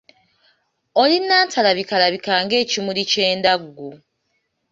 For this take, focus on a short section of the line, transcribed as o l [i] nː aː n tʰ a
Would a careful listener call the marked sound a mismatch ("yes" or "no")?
no